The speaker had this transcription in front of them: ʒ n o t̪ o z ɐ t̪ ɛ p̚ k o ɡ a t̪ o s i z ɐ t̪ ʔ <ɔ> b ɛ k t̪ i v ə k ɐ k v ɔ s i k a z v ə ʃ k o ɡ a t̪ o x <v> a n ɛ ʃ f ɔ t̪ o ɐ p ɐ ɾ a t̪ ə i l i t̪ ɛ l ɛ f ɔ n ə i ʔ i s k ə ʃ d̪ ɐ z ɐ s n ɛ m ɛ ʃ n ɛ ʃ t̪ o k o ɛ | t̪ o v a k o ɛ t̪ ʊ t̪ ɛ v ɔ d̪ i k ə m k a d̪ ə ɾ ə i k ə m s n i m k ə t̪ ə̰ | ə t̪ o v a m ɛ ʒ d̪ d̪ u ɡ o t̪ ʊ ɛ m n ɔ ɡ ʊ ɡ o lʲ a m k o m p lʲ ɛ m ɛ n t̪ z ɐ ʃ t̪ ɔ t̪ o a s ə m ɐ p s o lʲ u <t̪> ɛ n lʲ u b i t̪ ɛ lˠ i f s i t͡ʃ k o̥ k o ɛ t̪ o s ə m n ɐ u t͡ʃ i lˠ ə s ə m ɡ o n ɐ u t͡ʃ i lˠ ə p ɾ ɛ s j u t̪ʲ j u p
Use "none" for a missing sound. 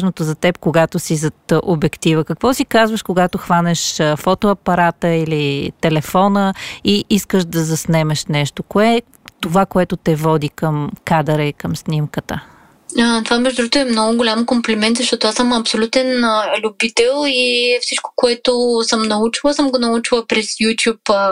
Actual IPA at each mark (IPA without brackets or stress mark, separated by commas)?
o, v, t̪